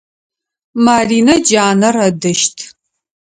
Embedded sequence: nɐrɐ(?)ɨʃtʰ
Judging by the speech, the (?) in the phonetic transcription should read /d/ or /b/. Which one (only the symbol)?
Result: d